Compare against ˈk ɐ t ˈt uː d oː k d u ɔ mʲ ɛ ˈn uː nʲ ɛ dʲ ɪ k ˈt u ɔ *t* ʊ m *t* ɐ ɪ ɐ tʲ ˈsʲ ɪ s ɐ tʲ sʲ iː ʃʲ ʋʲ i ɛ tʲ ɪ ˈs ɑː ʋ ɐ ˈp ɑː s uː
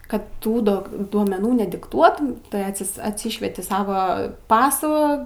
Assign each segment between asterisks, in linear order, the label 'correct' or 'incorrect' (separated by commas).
correct, correct